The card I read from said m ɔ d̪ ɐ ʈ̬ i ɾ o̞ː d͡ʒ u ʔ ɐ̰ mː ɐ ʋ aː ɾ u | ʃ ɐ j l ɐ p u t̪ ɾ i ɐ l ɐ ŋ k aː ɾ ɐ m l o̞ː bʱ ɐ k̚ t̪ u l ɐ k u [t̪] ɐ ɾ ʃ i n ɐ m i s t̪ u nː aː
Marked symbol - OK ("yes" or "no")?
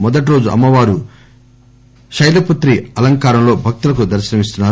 no